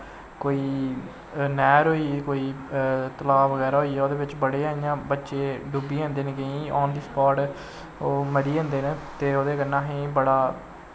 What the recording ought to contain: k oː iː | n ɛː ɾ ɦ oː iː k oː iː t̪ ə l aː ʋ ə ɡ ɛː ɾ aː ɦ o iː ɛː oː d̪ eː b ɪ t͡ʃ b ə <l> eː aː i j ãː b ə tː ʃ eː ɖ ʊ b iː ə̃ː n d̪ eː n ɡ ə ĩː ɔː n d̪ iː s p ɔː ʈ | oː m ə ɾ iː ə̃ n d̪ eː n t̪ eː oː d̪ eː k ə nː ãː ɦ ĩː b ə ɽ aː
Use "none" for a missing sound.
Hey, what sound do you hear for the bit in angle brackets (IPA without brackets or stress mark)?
ɽ